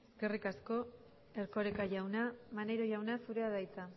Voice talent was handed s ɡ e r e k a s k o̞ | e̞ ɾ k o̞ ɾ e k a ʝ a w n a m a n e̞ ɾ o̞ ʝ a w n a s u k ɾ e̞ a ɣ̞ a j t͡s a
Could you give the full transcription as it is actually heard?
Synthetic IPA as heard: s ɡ e r i k a s k o̞ | e̞ ɾ k o̞ ɾ e k a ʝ a w n a m a n e̞ ɾ o̞ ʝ a w n a s u ɾ e̞ a ð̞ a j t͡s a